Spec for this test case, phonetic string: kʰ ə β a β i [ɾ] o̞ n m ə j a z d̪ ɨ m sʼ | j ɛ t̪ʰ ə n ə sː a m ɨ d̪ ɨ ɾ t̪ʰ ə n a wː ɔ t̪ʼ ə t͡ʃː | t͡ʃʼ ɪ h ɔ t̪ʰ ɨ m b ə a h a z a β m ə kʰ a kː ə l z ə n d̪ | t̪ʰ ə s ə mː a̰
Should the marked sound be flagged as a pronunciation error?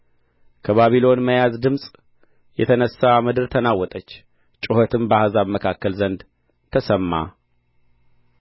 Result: yes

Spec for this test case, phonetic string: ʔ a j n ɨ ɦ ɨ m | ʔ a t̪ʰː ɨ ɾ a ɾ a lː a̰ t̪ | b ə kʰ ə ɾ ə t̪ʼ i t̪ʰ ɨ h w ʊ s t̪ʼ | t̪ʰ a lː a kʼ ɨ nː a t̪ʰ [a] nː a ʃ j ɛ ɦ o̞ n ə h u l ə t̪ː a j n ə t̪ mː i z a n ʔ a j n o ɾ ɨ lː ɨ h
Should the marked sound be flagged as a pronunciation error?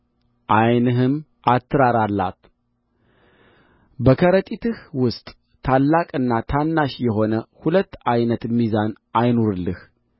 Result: no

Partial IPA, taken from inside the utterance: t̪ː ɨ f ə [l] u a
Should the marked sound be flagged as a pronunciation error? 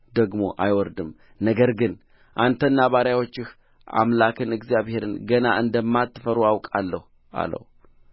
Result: yes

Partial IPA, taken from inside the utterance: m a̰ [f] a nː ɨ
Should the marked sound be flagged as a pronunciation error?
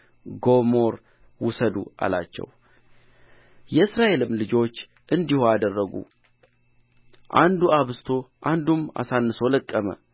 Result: yes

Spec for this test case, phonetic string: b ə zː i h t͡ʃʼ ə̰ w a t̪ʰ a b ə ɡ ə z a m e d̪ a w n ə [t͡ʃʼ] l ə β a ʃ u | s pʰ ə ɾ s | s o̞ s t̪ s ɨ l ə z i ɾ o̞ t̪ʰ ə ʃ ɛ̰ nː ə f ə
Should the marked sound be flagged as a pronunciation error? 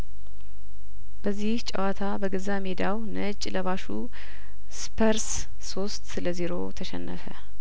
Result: no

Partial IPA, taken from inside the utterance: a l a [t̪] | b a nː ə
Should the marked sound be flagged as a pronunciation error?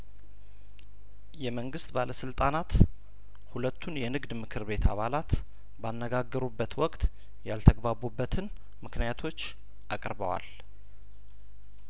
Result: no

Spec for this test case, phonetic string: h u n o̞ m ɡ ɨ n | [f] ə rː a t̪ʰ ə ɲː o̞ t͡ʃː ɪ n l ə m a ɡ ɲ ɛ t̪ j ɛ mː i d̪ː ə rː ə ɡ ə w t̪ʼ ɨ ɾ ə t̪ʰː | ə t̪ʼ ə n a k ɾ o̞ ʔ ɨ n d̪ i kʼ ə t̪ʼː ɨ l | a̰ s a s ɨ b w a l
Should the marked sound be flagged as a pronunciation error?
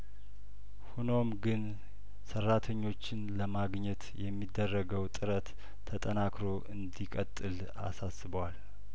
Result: yes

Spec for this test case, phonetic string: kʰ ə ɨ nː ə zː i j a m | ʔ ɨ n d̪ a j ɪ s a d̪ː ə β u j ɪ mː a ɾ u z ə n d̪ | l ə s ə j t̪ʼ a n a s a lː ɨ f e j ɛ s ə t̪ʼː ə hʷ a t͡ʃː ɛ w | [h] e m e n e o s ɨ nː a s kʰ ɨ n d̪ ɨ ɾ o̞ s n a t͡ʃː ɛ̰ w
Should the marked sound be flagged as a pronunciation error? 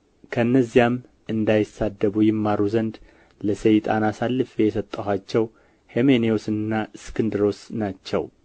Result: no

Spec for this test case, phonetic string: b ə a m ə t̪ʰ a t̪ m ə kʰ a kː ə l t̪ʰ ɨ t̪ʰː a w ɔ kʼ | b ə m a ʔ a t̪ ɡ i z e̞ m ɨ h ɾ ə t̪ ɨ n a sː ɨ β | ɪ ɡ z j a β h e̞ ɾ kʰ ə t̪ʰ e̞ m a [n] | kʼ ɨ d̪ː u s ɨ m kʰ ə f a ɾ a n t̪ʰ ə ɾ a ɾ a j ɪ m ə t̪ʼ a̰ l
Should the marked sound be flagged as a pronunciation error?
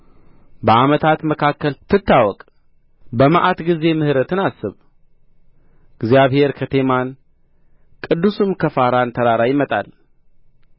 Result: no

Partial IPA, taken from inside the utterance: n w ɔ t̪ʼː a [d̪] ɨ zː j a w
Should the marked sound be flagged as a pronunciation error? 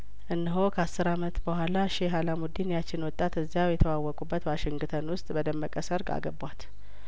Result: yes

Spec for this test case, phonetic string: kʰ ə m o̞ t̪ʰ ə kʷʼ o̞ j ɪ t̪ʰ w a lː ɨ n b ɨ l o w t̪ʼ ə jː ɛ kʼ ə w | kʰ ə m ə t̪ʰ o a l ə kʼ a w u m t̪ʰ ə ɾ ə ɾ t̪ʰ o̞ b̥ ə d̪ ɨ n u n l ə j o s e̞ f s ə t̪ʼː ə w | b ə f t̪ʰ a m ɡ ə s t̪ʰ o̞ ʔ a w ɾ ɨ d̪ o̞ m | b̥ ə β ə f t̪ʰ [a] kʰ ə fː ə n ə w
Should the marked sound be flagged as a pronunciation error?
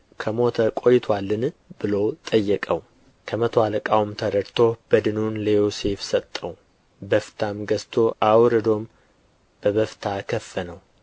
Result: no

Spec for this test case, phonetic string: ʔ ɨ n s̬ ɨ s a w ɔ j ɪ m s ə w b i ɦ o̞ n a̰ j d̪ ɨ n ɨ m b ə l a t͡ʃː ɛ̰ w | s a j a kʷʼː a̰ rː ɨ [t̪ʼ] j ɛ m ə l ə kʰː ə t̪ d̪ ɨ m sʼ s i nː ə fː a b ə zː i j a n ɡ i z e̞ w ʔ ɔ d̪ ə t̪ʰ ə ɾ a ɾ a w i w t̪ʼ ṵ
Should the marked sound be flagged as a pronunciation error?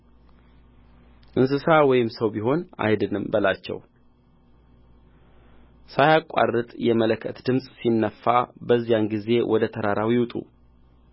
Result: no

